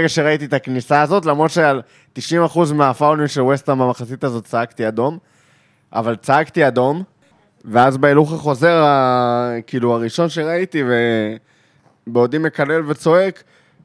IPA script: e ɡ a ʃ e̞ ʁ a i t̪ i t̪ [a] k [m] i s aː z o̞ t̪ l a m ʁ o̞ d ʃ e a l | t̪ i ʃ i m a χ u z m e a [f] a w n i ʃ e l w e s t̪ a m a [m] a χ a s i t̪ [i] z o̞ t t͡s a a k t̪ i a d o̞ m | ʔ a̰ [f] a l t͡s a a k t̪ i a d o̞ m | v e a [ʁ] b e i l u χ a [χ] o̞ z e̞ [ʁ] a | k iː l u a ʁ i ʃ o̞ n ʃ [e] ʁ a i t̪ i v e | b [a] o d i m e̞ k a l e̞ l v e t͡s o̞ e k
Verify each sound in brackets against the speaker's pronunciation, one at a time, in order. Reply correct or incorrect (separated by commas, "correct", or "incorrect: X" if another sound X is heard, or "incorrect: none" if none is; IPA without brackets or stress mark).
correct, incorrect: n, correct, correct, incorrect: a, incorrect: v, incorrect: z, correct, correct, correct, incorrect: e